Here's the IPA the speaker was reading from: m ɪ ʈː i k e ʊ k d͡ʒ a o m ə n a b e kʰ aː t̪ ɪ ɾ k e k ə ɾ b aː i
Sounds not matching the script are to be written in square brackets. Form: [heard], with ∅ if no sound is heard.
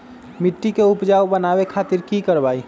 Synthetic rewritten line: m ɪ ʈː i k e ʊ [p] d͡ʒ a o [b] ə n a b e kʰ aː t̪ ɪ ɾ k [i] k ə ɾ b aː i